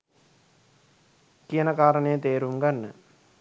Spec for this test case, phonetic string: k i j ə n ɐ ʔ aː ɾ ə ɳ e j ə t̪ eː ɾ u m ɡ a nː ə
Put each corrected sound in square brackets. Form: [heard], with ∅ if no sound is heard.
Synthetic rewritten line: k i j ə n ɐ [k] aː ɾ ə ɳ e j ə t̪ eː ɾ u m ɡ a nː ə